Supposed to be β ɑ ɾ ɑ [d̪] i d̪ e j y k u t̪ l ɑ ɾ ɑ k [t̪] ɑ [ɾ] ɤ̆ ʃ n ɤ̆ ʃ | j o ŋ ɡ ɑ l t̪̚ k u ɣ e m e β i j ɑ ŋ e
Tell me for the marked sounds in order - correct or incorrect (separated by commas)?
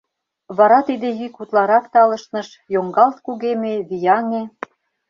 incorrect, correct, incorrect